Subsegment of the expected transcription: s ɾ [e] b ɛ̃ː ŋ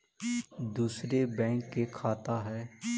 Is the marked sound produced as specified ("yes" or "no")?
yes